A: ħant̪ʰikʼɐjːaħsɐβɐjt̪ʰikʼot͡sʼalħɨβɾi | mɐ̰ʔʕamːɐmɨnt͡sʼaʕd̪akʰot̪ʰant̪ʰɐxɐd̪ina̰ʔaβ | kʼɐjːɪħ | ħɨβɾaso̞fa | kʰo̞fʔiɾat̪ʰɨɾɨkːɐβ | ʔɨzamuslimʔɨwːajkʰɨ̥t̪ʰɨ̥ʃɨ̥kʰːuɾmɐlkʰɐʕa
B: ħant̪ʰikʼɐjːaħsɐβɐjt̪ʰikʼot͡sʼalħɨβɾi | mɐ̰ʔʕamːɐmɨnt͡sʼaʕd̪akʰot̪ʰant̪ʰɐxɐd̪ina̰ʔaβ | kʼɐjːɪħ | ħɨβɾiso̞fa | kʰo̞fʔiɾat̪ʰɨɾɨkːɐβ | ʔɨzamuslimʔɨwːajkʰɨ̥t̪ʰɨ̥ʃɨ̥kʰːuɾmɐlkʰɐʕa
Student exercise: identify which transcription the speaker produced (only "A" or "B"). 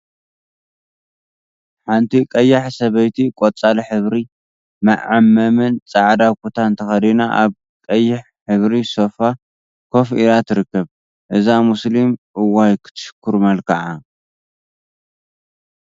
B